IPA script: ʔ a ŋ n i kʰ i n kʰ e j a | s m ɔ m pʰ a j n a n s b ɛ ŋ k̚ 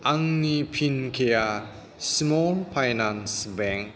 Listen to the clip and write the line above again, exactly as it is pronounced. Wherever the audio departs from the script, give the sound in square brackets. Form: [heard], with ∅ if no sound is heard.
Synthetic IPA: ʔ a ŋ n i [pʰ] i n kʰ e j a | s m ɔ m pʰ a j n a n s b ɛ ŋ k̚